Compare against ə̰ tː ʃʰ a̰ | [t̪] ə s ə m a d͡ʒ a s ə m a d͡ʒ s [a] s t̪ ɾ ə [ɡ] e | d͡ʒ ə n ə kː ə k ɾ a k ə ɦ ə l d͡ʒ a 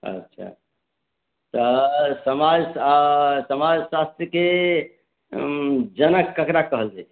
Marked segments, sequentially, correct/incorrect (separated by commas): correct, correct, incorrect